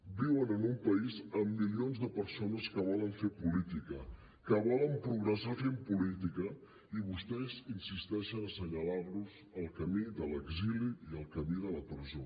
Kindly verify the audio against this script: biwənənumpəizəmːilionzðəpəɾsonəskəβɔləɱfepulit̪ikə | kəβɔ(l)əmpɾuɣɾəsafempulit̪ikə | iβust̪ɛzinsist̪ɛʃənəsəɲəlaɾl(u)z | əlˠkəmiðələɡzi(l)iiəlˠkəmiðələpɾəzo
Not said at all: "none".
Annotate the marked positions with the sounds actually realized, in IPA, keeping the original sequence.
l, u, l

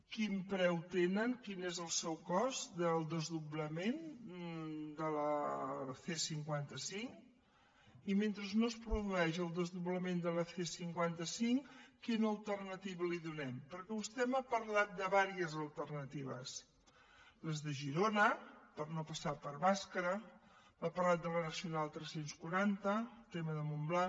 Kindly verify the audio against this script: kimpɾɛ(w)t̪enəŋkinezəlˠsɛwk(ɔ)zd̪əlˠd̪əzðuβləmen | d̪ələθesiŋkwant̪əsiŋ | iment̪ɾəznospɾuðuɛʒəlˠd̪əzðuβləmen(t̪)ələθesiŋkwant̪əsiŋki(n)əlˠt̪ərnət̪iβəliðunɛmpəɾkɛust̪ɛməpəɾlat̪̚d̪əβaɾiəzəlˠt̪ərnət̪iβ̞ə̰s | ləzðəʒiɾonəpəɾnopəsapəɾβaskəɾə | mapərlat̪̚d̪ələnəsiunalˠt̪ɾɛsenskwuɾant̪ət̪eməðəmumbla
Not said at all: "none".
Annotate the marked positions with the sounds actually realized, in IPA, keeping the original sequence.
w, ɔ, d̪, n

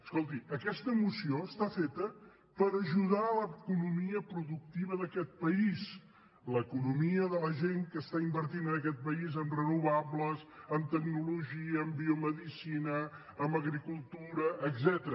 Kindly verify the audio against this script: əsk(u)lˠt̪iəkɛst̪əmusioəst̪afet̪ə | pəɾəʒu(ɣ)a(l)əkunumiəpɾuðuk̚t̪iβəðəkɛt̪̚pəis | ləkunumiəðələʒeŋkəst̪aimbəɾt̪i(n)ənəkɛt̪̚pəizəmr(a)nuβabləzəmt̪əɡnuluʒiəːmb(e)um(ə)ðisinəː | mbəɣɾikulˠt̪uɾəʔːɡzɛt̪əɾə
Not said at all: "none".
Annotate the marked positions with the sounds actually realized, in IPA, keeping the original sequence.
o, ð, l, n, ə, i, ə

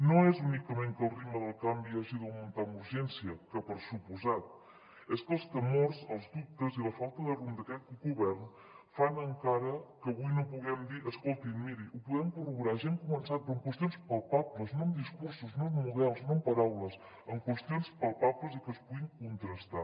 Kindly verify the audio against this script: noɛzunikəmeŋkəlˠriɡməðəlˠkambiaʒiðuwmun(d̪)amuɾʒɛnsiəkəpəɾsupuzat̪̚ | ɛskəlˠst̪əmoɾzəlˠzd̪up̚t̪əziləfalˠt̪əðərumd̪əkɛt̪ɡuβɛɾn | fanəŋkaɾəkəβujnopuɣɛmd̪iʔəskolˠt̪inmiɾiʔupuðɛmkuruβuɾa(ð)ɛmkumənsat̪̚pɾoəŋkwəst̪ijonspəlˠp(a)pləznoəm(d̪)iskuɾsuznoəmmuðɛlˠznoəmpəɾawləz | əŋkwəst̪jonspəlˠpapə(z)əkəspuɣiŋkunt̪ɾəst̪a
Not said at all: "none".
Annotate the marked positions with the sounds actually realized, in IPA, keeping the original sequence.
t̪, ʒ, a, d̪, z

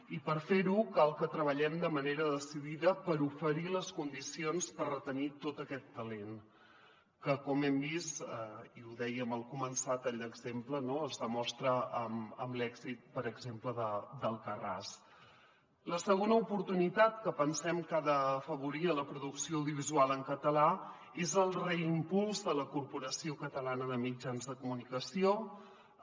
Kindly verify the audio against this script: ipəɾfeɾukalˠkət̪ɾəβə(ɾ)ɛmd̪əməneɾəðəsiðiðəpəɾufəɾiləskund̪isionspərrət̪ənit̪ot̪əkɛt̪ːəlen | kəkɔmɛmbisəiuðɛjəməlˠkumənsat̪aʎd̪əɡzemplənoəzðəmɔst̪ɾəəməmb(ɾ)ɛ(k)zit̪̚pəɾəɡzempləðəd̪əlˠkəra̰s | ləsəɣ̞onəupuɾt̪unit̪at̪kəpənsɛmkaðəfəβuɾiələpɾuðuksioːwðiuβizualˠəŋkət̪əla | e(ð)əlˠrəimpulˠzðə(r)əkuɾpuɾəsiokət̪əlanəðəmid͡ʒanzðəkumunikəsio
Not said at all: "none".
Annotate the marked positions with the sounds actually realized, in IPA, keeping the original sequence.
ʎ, l, ɡ, z, l

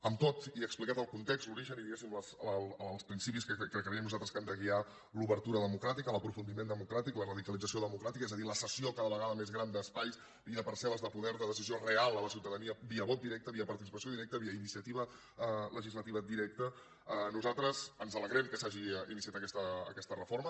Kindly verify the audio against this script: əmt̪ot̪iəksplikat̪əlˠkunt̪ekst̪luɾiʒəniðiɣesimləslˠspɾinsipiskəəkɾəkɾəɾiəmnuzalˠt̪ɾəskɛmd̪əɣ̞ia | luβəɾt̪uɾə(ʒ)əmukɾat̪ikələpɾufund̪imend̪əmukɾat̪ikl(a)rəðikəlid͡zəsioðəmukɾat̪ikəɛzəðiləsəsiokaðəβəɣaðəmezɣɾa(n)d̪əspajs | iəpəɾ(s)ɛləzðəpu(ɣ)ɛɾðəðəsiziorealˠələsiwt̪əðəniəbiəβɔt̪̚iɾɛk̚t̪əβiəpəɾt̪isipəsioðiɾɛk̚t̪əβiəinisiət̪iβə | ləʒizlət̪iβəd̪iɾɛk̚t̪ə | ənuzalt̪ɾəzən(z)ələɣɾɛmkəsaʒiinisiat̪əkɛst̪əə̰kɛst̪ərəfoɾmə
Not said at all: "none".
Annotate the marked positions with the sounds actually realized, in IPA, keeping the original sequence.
ð, ə, n, s, ð, z

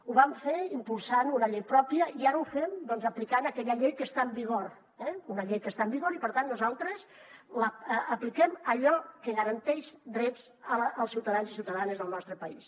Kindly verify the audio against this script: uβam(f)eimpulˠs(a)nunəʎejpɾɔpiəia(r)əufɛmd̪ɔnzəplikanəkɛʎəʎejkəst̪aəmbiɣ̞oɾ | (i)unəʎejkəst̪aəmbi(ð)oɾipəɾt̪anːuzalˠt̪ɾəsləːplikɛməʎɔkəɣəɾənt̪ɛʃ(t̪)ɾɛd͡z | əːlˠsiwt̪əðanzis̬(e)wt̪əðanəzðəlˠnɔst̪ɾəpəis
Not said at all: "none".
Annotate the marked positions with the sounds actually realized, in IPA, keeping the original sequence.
f, a, ɾ, ɛ, ɣ, d̪, i

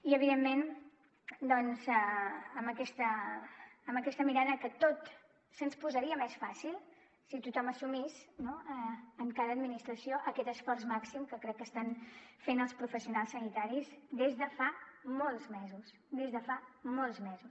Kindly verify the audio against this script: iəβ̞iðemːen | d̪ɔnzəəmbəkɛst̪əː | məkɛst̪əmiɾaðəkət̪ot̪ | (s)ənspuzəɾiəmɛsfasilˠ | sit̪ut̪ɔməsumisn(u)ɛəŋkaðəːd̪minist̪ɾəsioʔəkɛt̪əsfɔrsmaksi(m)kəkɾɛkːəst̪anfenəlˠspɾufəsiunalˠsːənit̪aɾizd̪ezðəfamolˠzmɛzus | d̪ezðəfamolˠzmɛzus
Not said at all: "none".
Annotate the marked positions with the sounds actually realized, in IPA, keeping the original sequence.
s, o, m

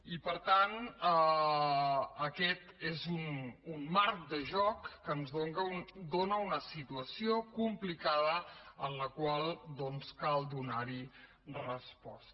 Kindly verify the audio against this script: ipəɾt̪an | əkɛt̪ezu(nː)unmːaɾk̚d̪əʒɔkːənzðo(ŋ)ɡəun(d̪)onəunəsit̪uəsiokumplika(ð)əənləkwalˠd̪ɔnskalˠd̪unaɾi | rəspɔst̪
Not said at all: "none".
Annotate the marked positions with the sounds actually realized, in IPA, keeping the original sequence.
n, ŋ, d̪, ð

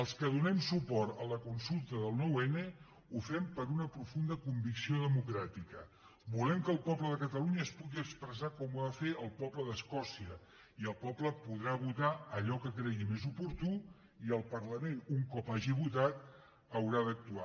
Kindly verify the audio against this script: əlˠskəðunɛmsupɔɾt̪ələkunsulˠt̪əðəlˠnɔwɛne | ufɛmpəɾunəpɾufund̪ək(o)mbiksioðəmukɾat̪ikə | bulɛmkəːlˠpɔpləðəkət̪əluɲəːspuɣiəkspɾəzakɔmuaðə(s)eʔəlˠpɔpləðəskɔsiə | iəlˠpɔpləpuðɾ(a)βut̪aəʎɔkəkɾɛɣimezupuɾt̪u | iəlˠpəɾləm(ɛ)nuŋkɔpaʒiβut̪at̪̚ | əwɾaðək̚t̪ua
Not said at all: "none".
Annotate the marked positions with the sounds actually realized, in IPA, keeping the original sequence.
u, f, a, e

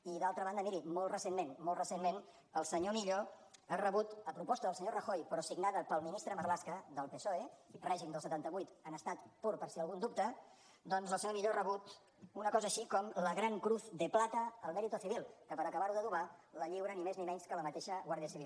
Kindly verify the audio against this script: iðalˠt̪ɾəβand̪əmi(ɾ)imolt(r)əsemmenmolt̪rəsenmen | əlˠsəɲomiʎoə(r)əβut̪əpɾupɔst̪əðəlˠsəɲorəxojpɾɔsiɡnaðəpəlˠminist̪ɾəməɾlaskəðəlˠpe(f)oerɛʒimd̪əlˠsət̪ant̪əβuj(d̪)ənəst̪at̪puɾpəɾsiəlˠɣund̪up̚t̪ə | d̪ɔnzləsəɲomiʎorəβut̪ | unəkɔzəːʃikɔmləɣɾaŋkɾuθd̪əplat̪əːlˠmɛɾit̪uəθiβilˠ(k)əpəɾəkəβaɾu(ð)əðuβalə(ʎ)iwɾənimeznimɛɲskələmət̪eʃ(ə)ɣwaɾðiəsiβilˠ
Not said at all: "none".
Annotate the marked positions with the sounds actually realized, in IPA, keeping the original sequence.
ɾ, r, r, s, t̪, k, ð, ʎ, ə

